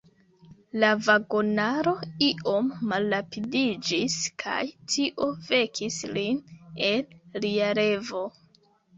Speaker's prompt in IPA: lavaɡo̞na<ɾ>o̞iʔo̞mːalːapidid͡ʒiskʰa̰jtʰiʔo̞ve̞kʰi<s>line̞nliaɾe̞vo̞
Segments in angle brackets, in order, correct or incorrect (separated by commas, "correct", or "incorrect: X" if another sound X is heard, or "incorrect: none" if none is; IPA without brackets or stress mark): correct, correct